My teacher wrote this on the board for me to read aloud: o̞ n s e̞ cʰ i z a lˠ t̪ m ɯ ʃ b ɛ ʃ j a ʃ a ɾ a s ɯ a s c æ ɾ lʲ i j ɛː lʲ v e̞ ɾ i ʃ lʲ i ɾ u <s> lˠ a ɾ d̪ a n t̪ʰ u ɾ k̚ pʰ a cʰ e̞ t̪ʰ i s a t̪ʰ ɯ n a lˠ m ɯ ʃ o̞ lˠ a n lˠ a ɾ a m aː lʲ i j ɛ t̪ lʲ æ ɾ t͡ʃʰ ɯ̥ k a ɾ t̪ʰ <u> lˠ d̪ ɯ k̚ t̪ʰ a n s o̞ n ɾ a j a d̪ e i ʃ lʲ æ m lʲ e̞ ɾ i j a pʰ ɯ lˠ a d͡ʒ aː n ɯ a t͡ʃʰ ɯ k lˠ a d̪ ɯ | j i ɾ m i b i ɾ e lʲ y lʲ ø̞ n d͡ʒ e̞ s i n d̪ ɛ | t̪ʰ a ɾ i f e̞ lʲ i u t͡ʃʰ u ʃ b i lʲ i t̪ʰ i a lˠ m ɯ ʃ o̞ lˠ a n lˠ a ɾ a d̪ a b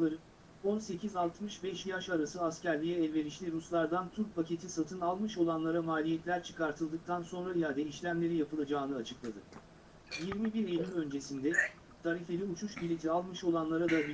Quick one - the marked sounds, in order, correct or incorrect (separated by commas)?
correct, incorrect